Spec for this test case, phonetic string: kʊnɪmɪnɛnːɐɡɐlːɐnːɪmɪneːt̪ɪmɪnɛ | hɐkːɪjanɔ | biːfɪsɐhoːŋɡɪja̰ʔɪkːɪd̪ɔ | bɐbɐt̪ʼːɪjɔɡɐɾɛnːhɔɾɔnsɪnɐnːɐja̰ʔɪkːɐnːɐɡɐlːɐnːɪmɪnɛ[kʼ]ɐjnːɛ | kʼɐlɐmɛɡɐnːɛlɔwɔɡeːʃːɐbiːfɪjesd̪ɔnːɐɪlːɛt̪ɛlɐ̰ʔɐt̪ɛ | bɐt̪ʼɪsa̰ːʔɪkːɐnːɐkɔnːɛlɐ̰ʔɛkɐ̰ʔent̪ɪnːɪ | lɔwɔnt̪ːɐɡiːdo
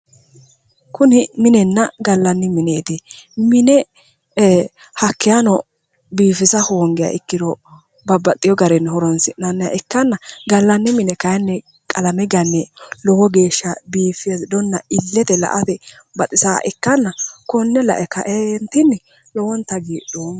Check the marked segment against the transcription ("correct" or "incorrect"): incorrect